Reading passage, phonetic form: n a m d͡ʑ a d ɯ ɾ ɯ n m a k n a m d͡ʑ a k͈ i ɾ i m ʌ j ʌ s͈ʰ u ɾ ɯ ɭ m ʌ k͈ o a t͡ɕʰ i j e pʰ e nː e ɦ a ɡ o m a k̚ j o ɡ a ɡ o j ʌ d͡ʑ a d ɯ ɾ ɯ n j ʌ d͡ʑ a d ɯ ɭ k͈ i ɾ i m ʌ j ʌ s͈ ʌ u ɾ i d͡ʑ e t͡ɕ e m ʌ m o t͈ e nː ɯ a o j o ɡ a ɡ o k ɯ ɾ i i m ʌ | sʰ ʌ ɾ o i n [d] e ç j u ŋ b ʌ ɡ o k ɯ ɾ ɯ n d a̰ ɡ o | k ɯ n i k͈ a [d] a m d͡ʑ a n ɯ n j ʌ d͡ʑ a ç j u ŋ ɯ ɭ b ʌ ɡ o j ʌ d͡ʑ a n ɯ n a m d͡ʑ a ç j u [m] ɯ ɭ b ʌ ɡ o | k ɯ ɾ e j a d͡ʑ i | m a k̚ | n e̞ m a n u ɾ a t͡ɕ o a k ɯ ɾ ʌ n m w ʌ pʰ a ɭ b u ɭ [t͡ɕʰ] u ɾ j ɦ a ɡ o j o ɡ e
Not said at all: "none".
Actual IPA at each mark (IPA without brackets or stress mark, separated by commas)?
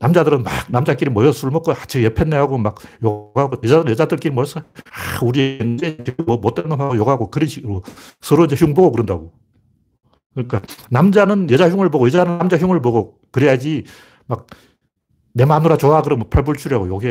d͡ʑ, n, ŋ, t͡ɕʰ